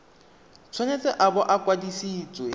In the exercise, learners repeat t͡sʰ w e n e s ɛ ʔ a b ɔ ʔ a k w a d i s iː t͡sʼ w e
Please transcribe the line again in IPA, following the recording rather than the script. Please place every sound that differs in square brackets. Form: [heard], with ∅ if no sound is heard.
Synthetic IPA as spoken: t͡sʰ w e n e [t͡s] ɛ ʔ a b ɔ ʔ a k w a d i s iː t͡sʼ w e